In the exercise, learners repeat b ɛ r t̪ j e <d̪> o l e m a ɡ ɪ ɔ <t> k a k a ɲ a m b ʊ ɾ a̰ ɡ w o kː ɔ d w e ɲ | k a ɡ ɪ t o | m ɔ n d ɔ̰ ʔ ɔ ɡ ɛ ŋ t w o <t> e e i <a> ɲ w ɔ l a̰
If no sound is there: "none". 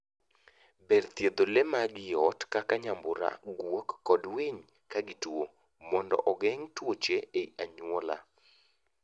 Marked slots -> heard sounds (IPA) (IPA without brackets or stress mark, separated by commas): d̪, t, t͡ʃ, a